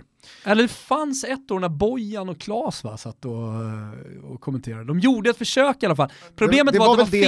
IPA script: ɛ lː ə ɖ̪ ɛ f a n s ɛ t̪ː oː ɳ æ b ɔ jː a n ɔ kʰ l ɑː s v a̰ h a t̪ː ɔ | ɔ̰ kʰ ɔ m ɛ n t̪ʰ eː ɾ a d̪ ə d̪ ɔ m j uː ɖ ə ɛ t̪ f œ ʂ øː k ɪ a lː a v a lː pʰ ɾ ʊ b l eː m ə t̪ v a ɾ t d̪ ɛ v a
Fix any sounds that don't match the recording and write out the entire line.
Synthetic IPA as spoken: ɛ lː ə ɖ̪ ɛ f a n s ɛ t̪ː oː ɳ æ b ɔ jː a n ɔ kʰ l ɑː s v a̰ s a t̪ː ɔ | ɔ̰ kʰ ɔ m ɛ n t̪ʰ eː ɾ a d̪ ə d̪ ɔ m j uː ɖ ə ɛ t̪ f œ ʂ øː k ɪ a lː a f a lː pʰ ɾ ʊ b l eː m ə t̪ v a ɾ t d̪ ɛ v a